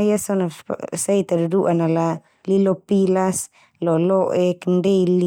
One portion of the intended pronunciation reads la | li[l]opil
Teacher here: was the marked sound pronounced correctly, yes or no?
yes